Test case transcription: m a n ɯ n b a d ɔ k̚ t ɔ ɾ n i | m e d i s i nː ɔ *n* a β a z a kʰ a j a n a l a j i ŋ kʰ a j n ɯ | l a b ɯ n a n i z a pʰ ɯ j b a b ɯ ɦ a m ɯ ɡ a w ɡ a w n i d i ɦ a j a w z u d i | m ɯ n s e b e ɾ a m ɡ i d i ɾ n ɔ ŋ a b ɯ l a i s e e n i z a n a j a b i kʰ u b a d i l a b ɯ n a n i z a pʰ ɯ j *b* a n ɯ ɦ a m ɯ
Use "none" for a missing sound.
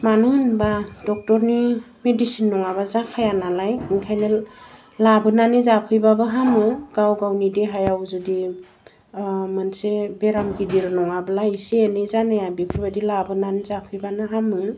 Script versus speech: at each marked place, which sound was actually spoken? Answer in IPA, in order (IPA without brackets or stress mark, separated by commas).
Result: ŋ, b